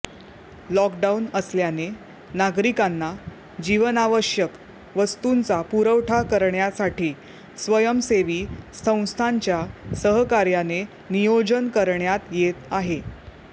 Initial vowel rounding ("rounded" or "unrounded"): rounded